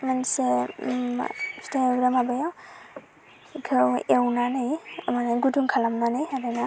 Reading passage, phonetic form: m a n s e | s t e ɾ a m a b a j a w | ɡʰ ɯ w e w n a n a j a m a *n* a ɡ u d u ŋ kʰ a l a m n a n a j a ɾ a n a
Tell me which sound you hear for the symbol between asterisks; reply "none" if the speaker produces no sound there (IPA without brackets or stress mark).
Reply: n